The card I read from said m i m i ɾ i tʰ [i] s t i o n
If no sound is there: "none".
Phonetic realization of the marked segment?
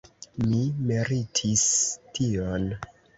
i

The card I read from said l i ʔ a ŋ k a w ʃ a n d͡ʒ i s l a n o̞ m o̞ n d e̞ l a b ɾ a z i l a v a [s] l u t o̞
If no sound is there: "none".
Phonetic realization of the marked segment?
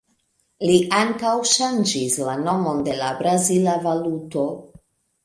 none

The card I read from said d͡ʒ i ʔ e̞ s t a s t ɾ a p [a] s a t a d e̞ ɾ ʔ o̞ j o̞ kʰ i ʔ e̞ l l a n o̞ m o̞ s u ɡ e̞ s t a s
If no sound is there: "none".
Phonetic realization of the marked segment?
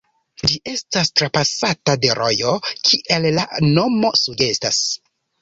a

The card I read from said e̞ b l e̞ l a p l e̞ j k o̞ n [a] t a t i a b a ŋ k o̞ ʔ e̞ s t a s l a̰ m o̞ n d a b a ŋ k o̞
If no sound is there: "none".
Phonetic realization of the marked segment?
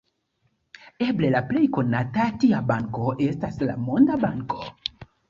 a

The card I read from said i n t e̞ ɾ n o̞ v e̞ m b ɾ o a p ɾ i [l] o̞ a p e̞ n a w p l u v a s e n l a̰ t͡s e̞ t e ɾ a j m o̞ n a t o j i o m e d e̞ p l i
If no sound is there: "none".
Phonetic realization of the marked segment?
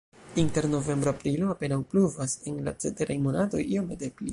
l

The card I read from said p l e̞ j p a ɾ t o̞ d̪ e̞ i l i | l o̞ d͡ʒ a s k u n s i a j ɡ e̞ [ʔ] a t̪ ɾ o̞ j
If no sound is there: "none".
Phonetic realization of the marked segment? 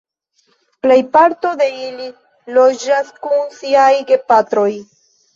p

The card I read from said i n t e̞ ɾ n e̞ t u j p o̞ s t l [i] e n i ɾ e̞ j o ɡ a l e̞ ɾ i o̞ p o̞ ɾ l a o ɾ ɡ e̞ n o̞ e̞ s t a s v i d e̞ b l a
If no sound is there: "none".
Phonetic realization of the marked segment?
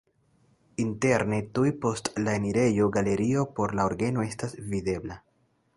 a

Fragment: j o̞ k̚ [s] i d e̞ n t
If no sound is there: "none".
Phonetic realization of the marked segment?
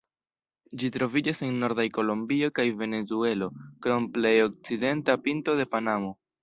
t͡s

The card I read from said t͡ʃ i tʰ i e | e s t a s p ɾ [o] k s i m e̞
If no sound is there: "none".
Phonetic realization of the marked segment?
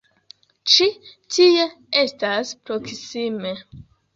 o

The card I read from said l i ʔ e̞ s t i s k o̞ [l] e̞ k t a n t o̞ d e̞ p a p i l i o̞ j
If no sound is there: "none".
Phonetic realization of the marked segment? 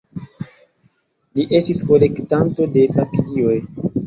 l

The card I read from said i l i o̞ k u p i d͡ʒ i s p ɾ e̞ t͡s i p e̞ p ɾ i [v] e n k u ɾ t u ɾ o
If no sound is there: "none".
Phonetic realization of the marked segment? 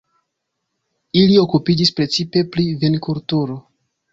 v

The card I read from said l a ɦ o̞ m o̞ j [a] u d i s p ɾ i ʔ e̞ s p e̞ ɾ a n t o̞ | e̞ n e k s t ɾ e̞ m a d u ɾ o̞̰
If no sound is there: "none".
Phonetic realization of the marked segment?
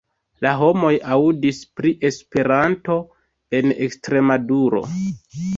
a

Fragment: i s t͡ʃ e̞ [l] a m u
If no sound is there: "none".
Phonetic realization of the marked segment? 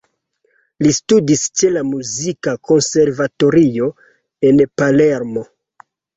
l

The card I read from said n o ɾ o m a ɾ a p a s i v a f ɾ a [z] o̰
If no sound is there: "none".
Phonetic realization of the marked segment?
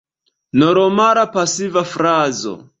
z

